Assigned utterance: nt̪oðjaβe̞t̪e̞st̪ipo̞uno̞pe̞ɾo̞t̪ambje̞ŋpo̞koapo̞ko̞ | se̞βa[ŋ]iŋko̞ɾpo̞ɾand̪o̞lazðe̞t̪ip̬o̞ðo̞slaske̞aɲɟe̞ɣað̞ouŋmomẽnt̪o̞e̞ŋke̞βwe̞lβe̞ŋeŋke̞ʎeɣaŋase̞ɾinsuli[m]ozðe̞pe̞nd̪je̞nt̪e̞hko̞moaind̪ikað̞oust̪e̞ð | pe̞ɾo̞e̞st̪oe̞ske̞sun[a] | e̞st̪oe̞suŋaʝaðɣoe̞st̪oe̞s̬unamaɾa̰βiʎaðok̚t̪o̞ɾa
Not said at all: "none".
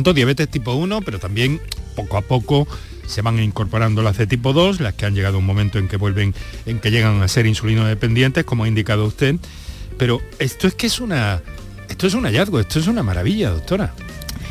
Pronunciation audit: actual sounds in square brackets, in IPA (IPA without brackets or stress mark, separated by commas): ŋ, n, a